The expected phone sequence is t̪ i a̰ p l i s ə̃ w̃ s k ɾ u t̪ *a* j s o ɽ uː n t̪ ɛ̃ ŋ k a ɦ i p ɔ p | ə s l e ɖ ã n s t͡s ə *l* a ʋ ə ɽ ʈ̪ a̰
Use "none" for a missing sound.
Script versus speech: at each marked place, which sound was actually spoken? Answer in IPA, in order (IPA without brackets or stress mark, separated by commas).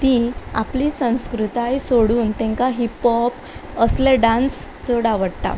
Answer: a, ɽ